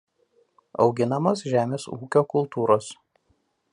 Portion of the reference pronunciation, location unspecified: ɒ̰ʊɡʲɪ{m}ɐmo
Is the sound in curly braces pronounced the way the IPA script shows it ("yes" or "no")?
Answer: no